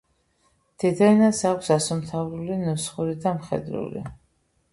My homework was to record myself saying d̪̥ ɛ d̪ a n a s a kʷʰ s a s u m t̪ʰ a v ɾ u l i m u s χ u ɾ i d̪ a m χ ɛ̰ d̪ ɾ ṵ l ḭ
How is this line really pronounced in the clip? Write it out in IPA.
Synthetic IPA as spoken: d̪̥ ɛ d̪ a n a s a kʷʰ s a s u m t̪ʰ a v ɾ u l i n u s χ u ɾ i d̪ a m χ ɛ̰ d̪ ɾ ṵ l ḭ